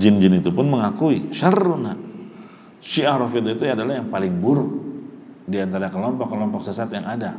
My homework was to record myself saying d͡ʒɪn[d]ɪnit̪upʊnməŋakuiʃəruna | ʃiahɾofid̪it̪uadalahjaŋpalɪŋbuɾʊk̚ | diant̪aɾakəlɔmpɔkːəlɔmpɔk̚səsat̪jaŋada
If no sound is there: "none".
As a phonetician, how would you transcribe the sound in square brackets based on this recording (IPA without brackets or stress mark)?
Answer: d͡ʒ